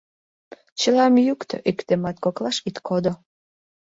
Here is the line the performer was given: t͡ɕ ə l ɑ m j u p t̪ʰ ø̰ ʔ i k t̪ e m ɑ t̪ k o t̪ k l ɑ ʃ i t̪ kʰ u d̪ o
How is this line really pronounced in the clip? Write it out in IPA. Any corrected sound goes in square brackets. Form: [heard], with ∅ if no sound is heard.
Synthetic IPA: t͡ɕ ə l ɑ m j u [k] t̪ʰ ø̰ ʔ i k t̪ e m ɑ t̪ k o [∅] k l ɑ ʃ i t̪ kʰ [o] d̪ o